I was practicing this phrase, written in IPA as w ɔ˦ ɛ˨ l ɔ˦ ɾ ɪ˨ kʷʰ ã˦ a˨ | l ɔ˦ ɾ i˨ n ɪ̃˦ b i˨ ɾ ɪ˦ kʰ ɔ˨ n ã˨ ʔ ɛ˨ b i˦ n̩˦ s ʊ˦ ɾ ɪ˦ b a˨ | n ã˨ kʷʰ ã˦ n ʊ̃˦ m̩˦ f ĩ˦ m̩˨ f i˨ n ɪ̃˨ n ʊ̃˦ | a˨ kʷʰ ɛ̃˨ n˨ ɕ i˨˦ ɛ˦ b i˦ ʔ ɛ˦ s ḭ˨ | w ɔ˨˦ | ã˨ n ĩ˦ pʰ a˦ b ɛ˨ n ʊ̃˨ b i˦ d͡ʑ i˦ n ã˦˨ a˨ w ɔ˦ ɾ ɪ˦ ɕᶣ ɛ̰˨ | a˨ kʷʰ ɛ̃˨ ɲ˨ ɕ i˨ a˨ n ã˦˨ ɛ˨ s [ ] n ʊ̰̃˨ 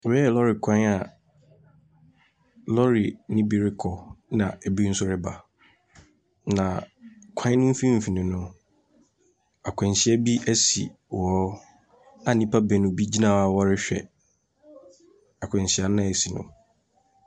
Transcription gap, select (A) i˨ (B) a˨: A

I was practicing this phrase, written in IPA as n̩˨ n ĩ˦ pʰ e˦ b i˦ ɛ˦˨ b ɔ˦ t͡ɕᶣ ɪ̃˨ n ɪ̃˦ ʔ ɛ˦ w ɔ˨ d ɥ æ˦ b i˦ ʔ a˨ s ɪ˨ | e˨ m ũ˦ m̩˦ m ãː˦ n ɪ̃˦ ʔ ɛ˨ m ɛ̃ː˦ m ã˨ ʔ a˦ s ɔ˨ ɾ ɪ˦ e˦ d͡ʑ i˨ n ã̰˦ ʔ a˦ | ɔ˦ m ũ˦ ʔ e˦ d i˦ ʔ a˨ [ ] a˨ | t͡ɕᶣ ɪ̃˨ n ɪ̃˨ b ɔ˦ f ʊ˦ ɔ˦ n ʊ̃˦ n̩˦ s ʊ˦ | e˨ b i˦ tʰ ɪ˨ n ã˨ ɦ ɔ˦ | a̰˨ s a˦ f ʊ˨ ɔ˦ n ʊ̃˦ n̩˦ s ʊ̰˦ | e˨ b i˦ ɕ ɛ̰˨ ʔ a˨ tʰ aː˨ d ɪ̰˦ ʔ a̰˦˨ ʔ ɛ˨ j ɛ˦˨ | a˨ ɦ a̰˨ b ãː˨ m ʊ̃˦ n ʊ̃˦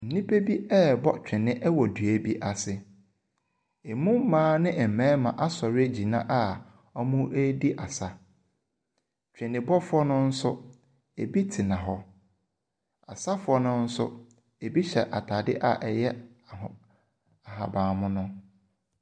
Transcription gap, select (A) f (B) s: B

